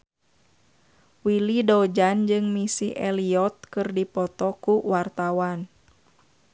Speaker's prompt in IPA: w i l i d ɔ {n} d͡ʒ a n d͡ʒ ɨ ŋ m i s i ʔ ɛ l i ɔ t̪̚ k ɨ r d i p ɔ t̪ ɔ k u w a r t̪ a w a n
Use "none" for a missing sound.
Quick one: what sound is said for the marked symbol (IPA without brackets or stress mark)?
none